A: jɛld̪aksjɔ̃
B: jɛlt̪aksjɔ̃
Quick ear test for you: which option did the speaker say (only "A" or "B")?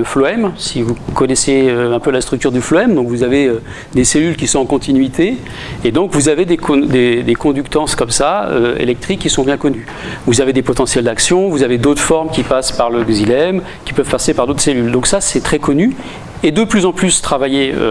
A